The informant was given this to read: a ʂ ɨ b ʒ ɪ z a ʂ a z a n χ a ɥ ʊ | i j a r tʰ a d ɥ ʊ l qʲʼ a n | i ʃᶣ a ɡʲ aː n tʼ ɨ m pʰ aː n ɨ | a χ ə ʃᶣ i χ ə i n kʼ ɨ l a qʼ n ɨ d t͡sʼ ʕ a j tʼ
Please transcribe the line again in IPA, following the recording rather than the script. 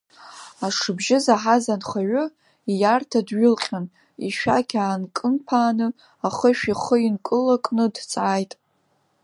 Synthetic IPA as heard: a ʂ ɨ b ʒ ɪ z a ħ a z a n χ a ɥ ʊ | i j a r tʰ a d ɥ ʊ l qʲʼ a n | i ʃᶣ a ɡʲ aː n kʼ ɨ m pʰ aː n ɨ | a χ ə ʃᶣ i χ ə i n kʼ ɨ l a kʼ n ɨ d t͡sʼ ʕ a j tʼ